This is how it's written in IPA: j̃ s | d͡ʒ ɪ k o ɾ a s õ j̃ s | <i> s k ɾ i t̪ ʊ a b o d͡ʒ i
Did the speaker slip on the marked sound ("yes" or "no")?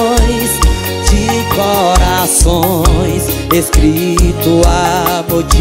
yes